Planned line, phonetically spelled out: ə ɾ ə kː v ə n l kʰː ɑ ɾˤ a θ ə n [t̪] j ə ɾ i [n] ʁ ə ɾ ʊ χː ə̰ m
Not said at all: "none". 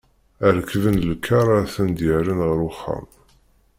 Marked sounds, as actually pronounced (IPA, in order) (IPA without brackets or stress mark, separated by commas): d̪, n